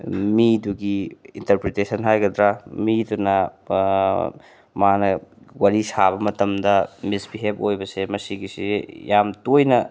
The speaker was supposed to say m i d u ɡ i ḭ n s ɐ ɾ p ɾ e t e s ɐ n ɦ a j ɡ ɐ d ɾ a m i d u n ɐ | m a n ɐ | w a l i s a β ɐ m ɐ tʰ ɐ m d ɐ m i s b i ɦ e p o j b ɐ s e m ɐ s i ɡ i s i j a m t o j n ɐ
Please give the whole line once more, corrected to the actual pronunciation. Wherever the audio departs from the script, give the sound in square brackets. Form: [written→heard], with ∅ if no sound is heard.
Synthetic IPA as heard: m i d u ɡ i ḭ n [s→t] ɐ ɾ p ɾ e t e s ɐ n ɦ a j ɡ ɐ d ɾ a m i d u n ɐ | m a n ɐ | w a [l→ɾ] i s a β ɐ m ɐ [tʰ→t] ɐ m d ɐ m i s b i ɦ e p o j b ɐ s e m ɐ s i ɡ i s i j a m t o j n ɐ